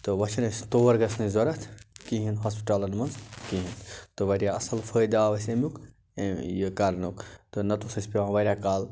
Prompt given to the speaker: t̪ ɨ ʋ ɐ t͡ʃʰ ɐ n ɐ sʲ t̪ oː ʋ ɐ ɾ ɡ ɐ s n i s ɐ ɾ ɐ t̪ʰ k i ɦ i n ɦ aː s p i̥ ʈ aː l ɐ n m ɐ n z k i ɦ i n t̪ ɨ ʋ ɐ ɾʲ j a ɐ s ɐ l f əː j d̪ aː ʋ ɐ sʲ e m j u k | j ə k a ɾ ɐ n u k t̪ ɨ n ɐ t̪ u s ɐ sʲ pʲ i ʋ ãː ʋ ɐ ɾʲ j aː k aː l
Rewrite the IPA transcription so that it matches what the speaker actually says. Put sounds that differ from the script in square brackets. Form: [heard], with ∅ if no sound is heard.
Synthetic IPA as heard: t̪ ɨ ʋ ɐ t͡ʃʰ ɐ n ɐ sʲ t̪ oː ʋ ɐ ɾ ɡ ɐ s n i [z] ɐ ɾ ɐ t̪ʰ k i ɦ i n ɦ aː s p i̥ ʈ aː l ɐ n m ɐ n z k i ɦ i n t̪ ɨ ʋ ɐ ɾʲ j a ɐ s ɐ l f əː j d̪ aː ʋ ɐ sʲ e m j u k | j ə k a ɾ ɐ n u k t̪ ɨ n ɐ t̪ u s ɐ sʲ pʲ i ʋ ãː ʋ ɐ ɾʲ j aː k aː l